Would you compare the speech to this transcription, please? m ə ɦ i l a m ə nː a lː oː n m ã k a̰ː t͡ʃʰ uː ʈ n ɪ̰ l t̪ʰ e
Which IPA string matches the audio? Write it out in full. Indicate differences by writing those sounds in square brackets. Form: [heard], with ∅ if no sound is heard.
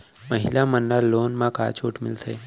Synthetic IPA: m ə ɦ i l a m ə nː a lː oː n m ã k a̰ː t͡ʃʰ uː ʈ [m] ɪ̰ l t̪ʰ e

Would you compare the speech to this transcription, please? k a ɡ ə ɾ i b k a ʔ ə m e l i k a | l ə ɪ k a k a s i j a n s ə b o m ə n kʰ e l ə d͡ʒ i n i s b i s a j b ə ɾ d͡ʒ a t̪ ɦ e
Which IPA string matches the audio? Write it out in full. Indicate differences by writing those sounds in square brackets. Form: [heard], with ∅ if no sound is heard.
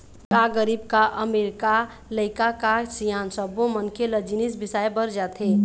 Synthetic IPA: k a ɡ ə ɾ i b k a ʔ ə m e [ɾ] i k a | l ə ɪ k a k a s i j a n s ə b o m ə n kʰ e l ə d͡ʒ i n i s b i s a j b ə ɾ d͡ʒ a t̪ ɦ e

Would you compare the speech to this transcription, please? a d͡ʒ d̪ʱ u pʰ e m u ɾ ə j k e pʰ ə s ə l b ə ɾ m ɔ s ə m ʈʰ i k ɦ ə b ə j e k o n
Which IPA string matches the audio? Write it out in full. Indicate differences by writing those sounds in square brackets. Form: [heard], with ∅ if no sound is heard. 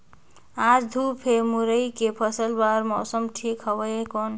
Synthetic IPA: a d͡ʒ d̪ʱ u pʰ e m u ɾ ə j k e pʰ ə s ə l b [a] ɾ m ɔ s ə m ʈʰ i k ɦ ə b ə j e k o n

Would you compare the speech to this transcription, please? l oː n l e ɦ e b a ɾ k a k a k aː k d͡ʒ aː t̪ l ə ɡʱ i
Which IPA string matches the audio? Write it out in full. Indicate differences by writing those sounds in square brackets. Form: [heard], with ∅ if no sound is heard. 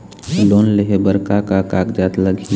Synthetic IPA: l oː n l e ɦ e b [ə] ɾ k a k a k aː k d͡ʒ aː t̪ l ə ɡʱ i

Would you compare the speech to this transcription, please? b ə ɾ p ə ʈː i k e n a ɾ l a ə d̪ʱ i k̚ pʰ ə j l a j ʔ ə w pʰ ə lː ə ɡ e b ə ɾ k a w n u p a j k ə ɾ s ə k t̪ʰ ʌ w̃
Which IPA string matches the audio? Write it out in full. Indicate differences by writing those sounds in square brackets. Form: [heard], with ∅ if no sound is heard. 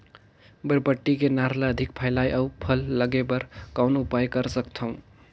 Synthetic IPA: b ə ɾ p ə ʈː i k e n a ɾ l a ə d̪ʱ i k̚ pʰ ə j l a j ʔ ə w pʰ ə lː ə ɡ e b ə ɾ k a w n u p a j k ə ɾ s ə k t̪ʰ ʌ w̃

